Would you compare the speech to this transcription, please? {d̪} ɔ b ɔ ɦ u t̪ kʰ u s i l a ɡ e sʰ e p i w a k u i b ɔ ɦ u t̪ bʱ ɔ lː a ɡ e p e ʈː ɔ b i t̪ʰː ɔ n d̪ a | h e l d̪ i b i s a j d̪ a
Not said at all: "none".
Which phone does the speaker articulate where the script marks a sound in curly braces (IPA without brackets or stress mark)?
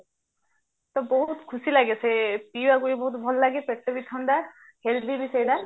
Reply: t̪